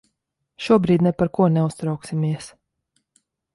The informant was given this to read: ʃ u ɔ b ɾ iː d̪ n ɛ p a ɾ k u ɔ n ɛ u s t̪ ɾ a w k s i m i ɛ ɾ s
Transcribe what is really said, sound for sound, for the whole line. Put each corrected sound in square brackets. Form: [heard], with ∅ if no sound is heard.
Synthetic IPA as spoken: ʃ u ɔ b ɾ iː d̪ n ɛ p a ɾ k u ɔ n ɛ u s t̪ ɾ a w k s i m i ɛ [∅] s